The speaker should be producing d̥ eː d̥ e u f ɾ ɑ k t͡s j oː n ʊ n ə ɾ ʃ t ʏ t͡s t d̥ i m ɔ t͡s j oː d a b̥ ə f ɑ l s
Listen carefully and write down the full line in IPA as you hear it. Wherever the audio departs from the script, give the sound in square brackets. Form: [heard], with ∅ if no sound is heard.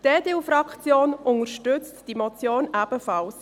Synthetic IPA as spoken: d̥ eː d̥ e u f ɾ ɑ k t͡s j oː n ʊ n ə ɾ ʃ t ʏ t͡s t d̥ i m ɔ t͡s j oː [n] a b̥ ə f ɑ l s

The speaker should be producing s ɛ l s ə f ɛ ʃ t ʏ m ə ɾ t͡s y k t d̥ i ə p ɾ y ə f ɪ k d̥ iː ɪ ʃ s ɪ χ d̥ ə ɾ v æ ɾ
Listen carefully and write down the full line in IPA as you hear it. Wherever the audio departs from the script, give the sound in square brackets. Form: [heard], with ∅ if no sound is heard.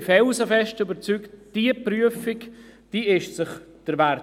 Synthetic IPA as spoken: [f] ɛ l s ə f ɛ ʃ t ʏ [b] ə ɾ t͡s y k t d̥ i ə p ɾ y ə f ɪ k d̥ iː ɪ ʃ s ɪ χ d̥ ə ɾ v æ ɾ

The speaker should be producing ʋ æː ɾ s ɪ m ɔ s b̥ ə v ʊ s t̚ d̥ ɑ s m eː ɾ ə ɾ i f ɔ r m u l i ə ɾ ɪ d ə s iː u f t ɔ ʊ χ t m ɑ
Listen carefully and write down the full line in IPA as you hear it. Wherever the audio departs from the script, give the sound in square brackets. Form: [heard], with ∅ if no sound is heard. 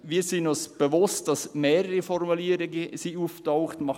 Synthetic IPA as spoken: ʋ [iː] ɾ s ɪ [n] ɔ s b̥ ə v ʊ s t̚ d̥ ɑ s m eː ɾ ə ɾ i f ɔ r m u l i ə ɾ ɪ [ɡ] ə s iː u f t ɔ ʊ χ t m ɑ

